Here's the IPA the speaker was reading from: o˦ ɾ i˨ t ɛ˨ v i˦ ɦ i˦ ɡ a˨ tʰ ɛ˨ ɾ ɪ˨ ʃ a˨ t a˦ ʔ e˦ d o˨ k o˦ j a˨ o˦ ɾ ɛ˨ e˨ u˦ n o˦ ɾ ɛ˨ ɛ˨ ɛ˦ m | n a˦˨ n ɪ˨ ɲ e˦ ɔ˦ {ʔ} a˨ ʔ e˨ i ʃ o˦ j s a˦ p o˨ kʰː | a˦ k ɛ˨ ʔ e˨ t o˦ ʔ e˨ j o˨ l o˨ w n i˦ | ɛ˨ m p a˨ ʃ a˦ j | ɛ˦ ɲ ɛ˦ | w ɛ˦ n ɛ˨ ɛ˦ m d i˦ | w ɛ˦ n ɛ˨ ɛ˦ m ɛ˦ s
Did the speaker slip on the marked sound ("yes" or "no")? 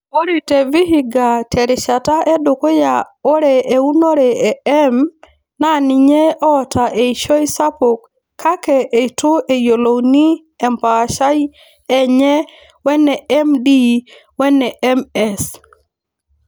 yes